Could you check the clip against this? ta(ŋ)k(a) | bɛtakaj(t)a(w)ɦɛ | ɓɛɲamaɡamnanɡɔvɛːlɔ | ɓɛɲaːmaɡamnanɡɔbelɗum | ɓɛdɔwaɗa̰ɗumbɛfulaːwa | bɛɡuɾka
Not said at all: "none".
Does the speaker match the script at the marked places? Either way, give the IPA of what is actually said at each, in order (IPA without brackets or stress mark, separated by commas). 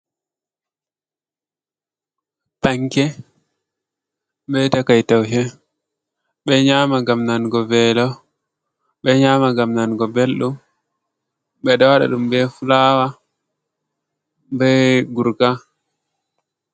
ŋ, ɛ, t, w